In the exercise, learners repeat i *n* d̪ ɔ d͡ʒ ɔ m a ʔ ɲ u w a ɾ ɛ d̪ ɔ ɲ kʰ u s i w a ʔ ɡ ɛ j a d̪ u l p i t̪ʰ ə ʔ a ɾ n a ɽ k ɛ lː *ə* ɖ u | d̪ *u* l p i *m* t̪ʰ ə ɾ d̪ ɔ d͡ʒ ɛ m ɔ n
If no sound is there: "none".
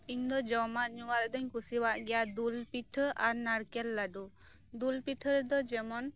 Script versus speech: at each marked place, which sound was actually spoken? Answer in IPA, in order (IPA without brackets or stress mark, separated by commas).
ɲ, a, u, none